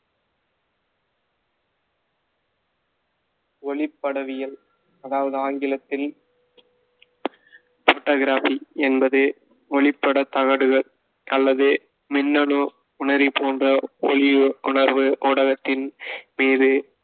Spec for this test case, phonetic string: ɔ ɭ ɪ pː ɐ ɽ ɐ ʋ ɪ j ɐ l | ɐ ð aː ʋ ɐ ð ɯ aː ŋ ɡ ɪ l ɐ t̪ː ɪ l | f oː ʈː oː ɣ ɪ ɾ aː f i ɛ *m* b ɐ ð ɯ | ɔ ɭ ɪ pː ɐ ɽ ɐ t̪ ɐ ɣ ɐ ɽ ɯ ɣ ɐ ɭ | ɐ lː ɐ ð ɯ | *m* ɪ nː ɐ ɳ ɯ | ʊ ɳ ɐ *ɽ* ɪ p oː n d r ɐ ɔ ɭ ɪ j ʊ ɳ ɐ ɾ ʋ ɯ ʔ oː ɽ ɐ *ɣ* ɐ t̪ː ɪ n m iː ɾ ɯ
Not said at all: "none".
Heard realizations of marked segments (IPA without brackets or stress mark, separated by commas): n, m, ɾ, ɣ